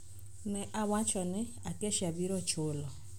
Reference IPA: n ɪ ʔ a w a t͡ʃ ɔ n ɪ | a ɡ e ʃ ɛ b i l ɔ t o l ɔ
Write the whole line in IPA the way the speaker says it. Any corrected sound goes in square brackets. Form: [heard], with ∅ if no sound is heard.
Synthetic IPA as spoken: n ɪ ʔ a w a t͡ʃ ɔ n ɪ | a [k] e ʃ [a] b i [ɾ] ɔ [t͡ʃ] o l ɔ